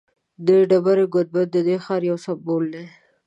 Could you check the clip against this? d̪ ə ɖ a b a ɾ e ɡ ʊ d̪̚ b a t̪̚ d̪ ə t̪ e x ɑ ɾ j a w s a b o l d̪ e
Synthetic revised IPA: d̪ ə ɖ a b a ɾ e ɡ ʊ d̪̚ b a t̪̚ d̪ ə d̪ e x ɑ ɾ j a w s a b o l d̪ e